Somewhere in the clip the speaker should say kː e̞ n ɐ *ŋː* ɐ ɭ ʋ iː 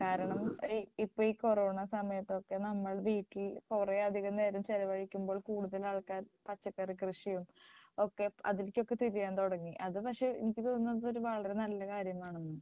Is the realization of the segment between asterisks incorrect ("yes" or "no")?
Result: yes